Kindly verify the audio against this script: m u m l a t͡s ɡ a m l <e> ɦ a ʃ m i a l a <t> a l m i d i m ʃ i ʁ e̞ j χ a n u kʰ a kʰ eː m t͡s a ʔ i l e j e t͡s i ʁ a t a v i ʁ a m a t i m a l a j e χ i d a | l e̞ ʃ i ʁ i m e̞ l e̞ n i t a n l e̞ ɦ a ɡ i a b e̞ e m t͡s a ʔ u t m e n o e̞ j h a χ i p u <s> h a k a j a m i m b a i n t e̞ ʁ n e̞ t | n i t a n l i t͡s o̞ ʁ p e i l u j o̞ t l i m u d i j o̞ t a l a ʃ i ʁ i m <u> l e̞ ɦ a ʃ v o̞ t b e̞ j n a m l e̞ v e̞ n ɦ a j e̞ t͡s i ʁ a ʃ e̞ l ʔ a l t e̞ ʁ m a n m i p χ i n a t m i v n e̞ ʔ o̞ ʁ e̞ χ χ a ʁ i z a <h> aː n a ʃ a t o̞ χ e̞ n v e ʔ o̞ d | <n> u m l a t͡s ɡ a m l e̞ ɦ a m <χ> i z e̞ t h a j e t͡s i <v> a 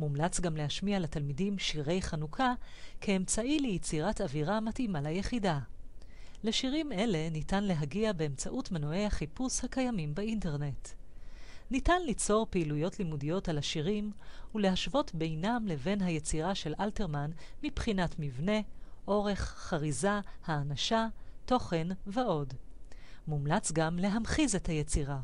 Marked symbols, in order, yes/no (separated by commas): yes, yes, yes, yes, yes, no, yes, no